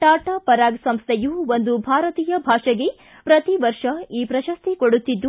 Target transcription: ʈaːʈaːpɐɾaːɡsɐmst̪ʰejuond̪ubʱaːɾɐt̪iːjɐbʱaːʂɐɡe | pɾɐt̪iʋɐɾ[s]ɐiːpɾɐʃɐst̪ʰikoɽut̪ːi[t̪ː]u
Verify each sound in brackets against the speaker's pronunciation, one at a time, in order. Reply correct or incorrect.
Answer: incorrect, incorrect

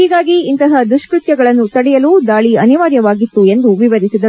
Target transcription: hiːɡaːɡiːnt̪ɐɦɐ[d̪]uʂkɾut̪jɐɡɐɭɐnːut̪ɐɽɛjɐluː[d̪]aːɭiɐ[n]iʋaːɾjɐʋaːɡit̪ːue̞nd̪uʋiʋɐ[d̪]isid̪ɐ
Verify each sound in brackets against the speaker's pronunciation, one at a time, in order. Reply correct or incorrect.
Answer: correct, correct, correct, correct

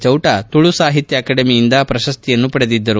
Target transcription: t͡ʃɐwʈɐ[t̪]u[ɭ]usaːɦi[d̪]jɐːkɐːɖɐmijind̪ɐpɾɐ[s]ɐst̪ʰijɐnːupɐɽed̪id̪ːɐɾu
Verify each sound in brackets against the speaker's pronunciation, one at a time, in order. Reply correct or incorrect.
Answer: correct, correct, incorrect, incorrect

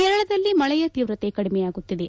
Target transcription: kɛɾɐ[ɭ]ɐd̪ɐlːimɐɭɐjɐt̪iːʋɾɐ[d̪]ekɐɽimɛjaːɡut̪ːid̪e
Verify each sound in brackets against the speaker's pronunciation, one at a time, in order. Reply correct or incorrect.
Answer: correct, incorrect

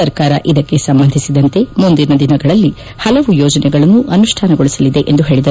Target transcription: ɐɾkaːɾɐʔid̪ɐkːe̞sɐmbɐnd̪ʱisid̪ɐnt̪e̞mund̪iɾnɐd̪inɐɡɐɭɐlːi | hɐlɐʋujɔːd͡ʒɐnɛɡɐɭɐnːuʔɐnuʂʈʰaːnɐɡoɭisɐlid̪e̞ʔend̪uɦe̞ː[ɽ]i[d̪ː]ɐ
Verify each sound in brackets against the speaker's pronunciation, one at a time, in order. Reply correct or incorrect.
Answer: incorrect, incorrect

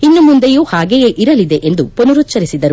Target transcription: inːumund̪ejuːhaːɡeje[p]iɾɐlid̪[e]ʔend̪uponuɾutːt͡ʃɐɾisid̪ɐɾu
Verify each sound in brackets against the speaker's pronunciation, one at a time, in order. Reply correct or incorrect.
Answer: incorrect, correct

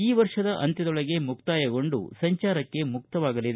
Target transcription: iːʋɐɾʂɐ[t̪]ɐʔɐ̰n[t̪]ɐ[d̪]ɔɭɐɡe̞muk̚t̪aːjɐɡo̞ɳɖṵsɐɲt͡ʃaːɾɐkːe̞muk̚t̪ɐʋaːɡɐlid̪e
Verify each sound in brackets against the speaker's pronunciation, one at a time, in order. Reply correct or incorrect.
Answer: incorrect, correct, correct

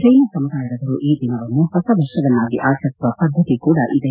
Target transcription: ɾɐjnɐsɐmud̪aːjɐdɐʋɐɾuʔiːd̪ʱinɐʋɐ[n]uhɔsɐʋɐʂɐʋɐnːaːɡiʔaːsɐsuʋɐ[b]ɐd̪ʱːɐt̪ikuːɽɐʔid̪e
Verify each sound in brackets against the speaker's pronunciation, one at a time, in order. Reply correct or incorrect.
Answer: incorrect, incorrect

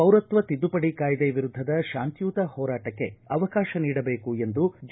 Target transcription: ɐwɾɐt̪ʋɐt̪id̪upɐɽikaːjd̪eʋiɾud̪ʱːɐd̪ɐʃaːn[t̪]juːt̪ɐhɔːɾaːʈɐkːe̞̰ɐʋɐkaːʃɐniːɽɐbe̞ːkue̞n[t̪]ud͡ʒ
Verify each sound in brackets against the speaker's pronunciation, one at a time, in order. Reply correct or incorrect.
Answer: correct, incorrect

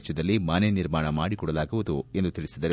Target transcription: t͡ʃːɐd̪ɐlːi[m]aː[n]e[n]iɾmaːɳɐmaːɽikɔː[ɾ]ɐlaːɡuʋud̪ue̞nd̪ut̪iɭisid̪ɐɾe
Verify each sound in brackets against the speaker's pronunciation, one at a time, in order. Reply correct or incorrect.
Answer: correct, correct, correct, incorrect

